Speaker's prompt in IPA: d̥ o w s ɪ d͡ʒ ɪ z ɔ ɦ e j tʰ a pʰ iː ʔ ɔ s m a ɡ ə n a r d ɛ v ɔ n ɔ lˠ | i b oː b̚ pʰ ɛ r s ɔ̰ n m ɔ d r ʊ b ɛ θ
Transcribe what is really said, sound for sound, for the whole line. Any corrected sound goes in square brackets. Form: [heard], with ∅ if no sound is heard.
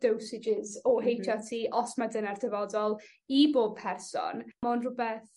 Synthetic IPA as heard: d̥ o w s ɪ d͡ʒ ɪ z ɔ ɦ e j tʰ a [tʰ] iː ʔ ɔ s m a [d] ə n a r d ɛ v ɔ [d] ɔ lˠ | i b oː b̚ pʰ ɛ r s ɔ̰ n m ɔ [n] r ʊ b ɛ θ